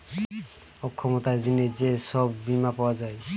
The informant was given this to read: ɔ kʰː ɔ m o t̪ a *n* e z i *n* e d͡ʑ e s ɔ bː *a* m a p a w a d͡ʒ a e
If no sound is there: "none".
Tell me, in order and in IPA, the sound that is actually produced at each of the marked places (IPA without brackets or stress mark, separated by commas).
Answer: none, n, i